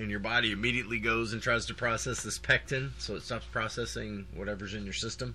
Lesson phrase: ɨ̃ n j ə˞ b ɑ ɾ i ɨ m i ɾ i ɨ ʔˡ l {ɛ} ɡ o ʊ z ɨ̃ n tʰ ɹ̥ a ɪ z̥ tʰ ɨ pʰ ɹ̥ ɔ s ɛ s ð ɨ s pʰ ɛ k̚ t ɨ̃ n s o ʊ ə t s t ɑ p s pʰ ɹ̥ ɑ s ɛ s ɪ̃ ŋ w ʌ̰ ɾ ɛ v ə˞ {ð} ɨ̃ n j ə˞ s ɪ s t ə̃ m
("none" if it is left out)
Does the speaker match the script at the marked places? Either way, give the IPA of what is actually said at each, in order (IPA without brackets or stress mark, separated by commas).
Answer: i, z